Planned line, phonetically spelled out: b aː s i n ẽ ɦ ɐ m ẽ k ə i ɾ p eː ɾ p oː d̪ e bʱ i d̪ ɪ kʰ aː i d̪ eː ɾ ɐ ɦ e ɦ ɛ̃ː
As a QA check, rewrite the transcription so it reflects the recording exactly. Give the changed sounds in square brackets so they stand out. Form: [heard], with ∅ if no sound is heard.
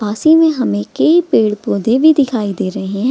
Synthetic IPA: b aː s i [m] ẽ ɦ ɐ m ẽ k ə i [∅] p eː [ɽ] p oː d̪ e bʱ i d̪ ɪ kʰ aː i d̪ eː ɾ ɐ ɦ e ɦ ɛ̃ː